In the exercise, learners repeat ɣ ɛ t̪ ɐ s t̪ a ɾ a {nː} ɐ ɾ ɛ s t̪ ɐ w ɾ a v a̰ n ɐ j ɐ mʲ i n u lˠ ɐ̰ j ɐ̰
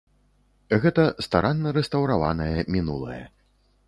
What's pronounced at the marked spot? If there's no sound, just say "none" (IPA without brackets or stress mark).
nː